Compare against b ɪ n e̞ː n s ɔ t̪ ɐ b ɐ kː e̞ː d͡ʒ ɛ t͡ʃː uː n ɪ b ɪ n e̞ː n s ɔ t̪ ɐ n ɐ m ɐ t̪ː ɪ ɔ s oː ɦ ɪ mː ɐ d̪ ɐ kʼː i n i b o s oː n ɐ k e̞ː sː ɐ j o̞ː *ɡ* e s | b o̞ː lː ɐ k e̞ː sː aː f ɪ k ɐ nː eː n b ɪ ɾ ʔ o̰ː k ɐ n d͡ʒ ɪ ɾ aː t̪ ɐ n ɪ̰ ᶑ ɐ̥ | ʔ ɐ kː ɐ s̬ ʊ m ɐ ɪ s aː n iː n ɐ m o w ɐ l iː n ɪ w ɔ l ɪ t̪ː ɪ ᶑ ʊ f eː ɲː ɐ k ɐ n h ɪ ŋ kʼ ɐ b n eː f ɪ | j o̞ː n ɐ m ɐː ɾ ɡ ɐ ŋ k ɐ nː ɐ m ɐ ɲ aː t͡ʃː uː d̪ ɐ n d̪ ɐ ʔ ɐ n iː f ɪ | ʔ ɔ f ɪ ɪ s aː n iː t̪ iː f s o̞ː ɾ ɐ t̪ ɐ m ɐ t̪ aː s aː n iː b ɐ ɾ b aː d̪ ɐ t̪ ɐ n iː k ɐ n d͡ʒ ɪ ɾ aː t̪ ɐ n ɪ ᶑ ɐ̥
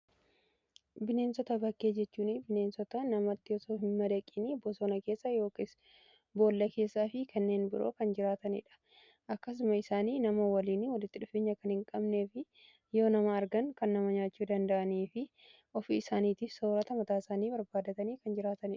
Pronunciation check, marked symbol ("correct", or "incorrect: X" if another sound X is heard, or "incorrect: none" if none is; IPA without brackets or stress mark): incorrect: k